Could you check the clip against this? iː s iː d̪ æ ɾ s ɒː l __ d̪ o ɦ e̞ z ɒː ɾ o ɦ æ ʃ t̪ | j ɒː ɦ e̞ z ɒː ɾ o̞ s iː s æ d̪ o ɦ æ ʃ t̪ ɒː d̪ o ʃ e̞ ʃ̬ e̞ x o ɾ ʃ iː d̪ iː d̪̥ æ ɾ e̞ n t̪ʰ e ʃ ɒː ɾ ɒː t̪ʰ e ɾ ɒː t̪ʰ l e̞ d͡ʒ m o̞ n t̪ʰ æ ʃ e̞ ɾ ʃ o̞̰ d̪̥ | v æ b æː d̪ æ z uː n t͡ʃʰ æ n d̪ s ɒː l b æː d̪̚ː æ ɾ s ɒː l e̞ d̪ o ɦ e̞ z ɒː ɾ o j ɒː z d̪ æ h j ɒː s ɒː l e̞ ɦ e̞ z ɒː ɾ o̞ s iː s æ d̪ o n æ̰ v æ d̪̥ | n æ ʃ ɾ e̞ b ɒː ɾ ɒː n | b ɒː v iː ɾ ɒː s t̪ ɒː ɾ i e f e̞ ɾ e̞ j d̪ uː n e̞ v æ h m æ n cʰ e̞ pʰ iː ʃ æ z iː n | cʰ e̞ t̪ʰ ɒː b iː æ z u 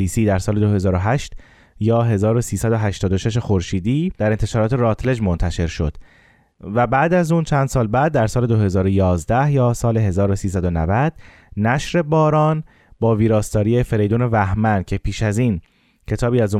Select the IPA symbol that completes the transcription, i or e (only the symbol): e